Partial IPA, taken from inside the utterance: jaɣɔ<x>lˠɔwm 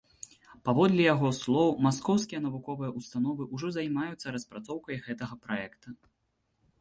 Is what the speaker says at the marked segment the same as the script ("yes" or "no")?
no